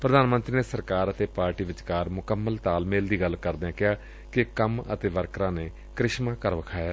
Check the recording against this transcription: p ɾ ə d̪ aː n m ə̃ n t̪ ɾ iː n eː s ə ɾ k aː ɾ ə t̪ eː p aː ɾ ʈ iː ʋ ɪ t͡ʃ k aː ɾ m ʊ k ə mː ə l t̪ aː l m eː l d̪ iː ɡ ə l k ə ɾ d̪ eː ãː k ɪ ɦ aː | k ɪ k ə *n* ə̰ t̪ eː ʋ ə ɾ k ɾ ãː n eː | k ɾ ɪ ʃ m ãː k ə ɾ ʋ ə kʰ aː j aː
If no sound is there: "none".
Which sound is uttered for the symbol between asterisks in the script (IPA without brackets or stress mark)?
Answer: m